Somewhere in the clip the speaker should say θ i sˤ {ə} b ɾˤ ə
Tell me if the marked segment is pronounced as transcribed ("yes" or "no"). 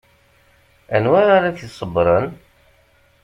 yes